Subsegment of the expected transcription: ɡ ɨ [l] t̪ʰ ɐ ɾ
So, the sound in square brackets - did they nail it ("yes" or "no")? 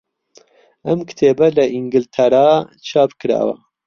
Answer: yes